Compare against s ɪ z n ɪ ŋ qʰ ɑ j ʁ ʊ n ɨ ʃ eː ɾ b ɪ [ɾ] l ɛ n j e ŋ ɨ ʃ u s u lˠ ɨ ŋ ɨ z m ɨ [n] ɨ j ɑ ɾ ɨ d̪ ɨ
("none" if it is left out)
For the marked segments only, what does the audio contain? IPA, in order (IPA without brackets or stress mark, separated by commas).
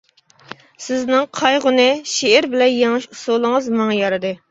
none, ŋ